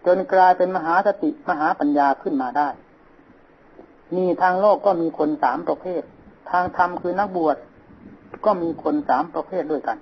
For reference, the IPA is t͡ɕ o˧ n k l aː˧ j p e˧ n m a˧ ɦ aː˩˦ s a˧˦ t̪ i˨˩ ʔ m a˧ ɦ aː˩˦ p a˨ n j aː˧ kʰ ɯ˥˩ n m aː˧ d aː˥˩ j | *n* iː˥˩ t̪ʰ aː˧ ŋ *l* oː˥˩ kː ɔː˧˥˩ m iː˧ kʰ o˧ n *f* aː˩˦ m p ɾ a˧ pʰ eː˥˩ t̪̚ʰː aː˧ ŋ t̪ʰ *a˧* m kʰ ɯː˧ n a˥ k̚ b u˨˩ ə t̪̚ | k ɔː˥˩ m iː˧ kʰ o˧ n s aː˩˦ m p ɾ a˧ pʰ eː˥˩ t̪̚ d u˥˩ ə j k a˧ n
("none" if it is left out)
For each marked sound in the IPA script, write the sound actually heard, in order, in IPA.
n, l, s, a˧

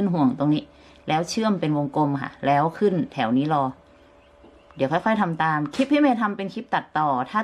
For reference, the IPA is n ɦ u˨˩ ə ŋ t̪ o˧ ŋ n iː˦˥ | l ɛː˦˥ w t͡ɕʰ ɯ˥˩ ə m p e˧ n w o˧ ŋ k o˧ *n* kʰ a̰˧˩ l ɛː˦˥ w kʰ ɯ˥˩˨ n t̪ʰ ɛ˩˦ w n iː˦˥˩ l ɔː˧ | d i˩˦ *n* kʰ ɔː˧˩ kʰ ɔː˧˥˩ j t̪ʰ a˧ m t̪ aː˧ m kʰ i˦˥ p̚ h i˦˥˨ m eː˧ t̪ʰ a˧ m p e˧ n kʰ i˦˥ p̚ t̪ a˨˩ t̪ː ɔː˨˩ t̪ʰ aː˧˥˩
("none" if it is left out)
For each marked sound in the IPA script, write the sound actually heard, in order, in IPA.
m, none

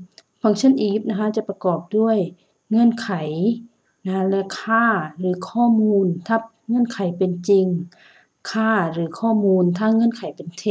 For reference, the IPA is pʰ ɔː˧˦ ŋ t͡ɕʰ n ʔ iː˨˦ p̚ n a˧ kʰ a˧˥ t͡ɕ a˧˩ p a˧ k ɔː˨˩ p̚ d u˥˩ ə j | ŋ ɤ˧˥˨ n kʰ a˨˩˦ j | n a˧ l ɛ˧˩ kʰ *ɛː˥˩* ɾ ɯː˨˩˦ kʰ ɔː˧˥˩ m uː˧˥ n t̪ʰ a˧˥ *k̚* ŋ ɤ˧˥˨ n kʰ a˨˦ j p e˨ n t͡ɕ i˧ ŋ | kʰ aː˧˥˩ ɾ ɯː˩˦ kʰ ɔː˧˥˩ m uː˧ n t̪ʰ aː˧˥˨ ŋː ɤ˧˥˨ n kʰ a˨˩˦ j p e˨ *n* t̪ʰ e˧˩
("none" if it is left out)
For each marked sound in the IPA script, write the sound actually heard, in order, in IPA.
aː˥˩, p̚, n

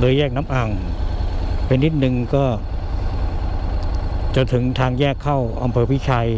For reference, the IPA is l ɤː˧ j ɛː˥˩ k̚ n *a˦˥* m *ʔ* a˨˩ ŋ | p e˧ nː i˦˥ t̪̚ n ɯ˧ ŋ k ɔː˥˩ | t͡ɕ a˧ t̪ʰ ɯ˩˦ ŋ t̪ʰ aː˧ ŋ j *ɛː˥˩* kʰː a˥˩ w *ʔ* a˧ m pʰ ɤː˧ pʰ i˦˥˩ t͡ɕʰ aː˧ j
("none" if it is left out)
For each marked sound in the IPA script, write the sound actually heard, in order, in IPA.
a˦˥, ʔ, ɛː˥˩, ʔ

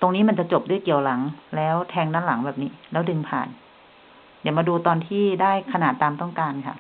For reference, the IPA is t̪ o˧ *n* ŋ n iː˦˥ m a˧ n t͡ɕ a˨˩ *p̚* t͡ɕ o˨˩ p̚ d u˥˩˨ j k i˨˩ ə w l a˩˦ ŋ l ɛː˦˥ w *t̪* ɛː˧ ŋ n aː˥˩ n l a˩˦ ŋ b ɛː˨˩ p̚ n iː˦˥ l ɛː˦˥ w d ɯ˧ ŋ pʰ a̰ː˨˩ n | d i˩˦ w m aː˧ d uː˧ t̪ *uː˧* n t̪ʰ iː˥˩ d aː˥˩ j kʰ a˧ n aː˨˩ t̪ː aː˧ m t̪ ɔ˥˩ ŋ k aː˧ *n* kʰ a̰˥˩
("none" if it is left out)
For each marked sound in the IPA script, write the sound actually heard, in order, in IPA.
none, none, t̪ʰ, ɔː˧, n

